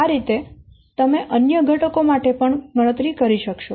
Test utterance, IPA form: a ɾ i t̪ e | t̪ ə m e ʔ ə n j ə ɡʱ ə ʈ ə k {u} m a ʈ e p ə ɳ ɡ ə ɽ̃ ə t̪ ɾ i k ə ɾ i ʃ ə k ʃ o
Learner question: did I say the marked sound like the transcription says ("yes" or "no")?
no